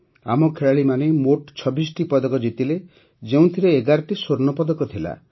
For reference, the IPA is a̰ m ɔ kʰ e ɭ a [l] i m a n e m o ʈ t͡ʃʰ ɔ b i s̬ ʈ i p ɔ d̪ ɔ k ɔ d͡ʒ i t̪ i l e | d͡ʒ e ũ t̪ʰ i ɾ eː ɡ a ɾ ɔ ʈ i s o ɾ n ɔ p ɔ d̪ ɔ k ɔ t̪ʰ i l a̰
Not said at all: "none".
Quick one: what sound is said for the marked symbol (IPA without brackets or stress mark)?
ɭ